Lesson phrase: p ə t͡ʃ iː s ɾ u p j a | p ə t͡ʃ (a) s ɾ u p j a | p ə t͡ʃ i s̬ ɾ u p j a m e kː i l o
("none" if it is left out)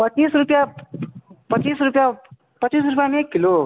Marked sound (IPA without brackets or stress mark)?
i